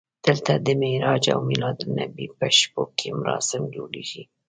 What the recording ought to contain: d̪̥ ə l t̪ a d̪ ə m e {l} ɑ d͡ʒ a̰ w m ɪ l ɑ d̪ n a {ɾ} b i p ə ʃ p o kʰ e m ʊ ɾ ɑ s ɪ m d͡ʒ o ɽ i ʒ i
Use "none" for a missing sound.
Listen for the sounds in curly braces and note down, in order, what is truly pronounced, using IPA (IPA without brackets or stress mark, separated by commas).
ɾ, none